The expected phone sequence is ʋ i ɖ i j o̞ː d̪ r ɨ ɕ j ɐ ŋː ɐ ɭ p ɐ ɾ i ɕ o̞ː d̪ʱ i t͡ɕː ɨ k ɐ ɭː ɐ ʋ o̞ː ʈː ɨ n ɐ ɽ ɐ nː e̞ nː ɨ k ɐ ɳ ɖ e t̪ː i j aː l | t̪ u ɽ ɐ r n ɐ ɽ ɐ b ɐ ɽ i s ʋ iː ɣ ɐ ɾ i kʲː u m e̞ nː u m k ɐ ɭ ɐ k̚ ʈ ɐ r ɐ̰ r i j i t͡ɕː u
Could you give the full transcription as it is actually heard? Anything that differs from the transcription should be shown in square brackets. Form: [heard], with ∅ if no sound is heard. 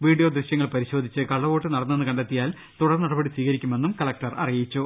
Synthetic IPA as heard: ʋ [iː] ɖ i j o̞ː d̪ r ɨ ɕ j ɐ ŋː ɐ ɭ p ɐ ɾ i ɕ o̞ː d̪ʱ i t͡ɕː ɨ k ɐ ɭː ɐ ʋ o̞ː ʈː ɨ n ɐ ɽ ɐ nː e̞ nː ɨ k ɐ ɳ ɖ e t̪ː i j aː l | t̪ u ɽ ɐ r n ɐ ɽ ɐ b ɐ ɽ i s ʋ iː ɣ ɐ ɾ i kʲː u m e̞ nː u m k ɐ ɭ ɐ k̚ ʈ ɐ r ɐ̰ r i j i t͡ɕː u